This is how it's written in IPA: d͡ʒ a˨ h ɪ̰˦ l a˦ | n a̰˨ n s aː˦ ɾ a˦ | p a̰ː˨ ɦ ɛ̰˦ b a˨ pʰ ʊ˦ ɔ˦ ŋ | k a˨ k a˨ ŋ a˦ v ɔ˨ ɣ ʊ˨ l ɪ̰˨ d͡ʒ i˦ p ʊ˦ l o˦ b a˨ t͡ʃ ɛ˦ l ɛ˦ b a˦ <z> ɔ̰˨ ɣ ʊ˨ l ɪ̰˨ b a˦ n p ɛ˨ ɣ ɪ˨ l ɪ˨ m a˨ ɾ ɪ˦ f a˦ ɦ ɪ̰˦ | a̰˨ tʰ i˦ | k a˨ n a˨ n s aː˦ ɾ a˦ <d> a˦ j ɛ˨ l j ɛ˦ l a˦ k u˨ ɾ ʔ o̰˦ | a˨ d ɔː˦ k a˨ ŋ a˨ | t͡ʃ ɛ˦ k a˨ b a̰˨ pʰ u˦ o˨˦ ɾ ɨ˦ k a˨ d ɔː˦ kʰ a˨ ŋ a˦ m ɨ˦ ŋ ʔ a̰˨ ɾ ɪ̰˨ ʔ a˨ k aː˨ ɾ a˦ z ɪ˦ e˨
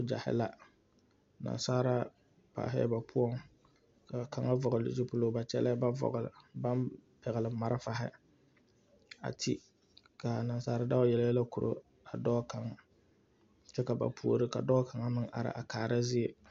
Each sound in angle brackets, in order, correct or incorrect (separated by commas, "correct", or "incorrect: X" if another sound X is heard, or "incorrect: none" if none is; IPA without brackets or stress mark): incorrect: v, correct